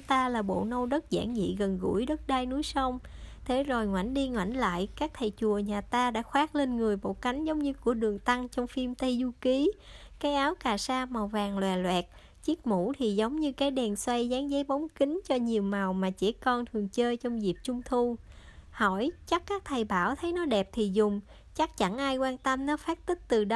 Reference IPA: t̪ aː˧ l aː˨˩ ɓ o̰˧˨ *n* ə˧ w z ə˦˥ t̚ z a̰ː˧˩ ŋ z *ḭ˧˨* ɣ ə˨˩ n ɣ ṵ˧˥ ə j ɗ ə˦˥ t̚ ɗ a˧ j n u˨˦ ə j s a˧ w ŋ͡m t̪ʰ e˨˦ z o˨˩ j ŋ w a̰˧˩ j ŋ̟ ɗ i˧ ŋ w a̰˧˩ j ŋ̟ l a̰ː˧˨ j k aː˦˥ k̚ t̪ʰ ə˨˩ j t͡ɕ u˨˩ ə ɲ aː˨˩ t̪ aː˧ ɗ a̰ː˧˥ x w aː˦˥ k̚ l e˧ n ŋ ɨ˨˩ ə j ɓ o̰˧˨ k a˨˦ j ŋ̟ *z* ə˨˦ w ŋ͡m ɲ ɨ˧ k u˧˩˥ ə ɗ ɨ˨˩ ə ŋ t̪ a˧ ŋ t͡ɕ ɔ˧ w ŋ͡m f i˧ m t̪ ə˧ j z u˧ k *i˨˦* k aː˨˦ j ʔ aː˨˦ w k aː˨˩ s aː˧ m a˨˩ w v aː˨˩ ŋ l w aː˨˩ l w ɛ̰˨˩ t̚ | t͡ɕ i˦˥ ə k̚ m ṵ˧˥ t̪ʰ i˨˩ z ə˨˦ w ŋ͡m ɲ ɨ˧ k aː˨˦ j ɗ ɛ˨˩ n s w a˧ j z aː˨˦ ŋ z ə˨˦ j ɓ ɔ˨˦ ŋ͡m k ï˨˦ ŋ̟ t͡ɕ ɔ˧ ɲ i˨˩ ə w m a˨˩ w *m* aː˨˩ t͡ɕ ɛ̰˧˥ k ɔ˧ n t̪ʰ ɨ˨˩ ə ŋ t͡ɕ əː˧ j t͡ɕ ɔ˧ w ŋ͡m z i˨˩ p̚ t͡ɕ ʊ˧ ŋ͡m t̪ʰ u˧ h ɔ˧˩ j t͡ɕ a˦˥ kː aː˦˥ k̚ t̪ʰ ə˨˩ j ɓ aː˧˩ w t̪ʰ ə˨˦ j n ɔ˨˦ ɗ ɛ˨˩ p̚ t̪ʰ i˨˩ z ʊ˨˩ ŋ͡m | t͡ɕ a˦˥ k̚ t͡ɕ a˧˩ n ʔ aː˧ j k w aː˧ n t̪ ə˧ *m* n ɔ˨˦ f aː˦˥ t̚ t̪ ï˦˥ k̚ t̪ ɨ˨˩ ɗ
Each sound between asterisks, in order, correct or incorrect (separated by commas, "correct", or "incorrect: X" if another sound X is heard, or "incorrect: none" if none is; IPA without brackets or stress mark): correct, correct, correct, correct, correct, correct